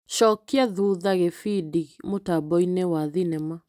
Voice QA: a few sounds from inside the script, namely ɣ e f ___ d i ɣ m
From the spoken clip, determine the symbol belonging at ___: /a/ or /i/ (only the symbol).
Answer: i